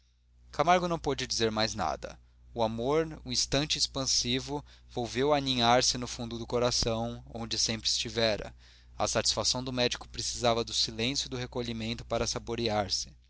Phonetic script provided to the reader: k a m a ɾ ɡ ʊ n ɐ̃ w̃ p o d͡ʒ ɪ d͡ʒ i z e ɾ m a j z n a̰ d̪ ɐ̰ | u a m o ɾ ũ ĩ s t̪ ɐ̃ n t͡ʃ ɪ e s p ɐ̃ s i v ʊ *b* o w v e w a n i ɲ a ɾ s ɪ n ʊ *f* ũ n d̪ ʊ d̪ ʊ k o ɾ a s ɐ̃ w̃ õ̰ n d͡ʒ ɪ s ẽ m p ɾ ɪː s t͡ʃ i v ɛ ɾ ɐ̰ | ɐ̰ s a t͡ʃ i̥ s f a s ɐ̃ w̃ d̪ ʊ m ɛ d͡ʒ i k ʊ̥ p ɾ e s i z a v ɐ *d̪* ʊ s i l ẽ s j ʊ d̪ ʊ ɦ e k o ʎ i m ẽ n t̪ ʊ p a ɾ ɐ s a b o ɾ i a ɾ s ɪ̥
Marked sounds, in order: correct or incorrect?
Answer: incorrect, correct, correct

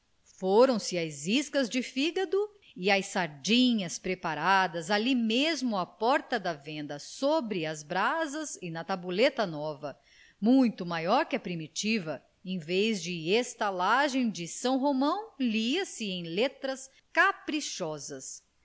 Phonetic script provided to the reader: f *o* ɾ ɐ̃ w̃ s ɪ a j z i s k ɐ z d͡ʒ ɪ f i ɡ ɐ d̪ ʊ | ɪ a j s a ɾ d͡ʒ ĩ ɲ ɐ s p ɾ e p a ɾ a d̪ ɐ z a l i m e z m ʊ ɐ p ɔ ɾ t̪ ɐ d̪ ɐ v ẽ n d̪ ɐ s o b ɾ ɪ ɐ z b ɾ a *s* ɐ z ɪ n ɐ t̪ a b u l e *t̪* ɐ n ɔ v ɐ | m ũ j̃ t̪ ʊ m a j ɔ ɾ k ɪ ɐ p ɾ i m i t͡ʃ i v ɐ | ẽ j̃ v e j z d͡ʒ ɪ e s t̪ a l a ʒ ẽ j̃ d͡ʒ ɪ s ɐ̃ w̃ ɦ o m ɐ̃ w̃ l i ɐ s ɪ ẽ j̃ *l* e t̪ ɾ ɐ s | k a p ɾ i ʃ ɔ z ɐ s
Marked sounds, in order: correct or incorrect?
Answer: correct, incorrect, correct, correct

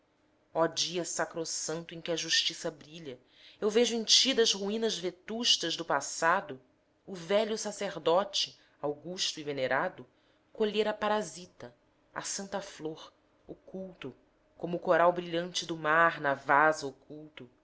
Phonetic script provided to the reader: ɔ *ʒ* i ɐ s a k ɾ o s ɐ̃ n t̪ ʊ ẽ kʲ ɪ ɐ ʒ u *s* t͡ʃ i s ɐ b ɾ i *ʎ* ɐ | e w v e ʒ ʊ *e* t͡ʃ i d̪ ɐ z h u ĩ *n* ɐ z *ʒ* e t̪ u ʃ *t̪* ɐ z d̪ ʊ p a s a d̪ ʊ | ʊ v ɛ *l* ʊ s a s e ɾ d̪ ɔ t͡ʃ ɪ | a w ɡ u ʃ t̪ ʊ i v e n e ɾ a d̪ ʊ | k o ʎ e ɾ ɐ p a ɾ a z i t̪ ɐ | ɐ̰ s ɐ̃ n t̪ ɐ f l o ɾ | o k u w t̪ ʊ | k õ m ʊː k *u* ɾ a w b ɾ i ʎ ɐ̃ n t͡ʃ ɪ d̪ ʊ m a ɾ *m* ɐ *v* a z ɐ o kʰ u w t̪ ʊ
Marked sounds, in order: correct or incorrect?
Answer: incorrect, incorrect, correct, incorrect, correct, incorrect, correct, incorrect, incorrect, incorrect, correct

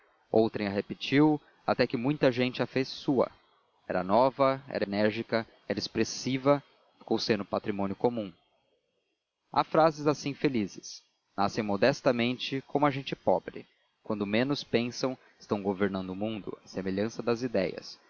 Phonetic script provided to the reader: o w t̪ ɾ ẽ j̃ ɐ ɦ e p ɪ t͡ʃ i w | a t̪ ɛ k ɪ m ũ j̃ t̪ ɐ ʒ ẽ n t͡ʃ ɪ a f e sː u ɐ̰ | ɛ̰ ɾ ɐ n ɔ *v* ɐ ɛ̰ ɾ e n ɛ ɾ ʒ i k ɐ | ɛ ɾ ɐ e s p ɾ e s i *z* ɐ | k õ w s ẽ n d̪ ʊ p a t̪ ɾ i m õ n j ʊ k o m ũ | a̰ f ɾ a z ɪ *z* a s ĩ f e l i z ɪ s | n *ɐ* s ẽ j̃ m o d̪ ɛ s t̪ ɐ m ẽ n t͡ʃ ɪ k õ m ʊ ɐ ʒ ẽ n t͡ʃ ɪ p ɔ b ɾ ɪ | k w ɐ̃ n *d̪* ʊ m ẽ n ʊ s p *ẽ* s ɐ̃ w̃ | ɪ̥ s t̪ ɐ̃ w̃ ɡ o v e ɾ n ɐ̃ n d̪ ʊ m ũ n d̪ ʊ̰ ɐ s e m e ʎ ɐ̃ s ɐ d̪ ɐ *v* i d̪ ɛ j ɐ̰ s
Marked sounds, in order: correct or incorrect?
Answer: correct, incorrect, correct, incorrect, correct, correct, incorrect

